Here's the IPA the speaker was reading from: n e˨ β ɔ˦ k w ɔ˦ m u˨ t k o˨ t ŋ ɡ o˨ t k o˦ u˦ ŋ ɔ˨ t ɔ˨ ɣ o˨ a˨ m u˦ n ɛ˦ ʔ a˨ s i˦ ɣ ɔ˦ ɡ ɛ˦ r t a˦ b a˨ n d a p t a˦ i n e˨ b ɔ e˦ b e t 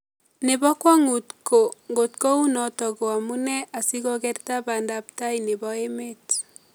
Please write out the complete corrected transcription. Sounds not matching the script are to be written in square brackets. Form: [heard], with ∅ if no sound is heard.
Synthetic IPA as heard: n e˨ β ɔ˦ k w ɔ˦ [ŋ] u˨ t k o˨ [∅] ŋ ɡ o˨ t k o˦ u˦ [n] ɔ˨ t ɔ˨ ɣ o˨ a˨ m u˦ n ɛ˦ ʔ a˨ s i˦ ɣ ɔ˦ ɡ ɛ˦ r t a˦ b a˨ n d a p t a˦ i n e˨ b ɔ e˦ [m] e t